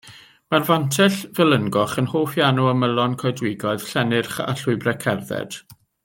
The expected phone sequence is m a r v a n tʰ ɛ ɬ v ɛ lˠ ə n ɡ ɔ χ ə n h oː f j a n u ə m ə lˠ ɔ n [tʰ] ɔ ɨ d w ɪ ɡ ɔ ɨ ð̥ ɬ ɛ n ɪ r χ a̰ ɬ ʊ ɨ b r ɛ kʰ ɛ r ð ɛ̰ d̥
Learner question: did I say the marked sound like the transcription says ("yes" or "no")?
no